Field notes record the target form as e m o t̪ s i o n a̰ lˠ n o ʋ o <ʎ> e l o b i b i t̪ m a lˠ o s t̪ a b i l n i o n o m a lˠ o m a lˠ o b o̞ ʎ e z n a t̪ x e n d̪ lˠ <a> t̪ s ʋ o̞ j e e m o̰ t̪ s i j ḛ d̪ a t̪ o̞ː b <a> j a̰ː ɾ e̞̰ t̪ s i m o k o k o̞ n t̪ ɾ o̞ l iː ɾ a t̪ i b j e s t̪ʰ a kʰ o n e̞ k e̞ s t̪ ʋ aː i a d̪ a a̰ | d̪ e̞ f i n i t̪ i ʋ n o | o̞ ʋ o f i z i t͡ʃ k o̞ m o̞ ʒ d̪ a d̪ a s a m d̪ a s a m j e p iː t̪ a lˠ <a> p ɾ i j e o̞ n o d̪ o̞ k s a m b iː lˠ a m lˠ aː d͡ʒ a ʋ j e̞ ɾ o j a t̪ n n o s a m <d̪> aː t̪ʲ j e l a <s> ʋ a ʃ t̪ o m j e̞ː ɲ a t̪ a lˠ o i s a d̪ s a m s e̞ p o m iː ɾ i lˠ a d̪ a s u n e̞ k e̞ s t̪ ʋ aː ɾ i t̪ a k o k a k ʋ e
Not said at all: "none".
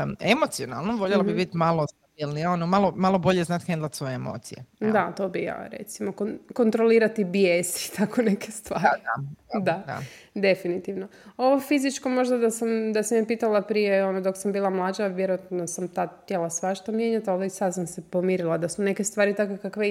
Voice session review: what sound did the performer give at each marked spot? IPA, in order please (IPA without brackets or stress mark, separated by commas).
ʎ, a, i, a, t̪, s